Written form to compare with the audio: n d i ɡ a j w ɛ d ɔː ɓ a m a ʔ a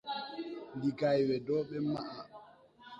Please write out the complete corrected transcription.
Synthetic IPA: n d i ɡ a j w ɛ d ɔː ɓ ɛ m a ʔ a